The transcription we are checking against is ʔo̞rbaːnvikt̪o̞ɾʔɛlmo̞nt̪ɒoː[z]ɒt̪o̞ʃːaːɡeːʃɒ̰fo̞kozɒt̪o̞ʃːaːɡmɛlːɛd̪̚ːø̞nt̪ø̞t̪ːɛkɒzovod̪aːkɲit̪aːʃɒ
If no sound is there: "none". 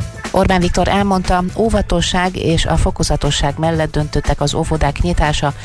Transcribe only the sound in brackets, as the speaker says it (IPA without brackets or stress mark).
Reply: v